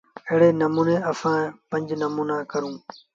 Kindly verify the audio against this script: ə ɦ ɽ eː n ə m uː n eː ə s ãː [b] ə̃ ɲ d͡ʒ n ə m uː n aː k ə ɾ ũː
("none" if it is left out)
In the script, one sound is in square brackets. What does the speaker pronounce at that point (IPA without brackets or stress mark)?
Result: p